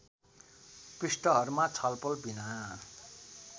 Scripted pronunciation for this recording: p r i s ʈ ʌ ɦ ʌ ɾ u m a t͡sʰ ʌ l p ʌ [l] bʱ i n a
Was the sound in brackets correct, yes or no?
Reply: yes